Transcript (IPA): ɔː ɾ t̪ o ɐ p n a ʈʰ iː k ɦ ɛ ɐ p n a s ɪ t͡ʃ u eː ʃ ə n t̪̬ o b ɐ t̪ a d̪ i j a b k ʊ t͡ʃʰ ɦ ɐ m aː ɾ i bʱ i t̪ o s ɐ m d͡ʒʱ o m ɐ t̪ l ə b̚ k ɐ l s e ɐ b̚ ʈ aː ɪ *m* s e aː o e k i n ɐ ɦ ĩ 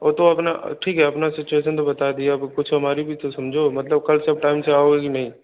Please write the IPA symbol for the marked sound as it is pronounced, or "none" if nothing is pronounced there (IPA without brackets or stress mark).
m